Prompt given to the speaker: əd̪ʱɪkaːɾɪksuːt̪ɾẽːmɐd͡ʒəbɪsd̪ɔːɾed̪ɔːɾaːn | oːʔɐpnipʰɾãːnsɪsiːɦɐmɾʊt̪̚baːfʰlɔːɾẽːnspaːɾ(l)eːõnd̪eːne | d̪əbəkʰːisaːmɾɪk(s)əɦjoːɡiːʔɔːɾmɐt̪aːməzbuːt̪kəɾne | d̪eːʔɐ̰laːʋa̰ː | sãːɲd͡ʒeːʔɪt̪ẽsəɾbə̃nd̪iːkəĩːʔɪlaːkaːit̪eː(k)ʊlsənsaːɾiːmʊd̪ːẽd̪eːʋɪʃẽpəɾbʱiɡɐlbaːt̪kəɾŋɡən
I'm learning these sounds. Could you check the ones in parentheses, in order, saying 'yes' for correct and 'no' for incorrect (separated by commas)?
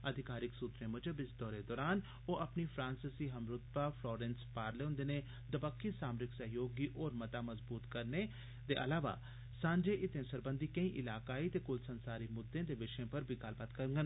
yes, yes, yes